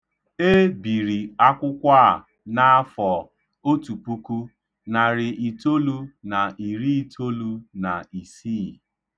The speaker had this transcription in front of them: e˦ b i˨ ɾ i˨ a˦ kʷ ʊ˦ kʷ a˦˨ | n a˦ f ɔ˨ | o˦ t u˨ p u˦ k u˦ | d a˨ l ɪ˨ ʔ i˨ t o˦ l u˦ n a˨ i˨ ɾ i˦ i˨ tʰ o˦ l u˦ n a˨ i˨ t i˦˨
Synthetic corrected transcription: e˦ b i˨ ɾ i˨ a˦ kʷ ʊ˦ kʷ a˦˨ | n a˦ f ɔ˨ | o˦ t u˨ p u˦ k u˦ | n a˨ ɾ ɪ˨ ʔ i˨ t o˦ l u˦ n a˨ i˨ ɾ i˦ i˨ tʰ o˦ l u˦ n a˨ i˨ s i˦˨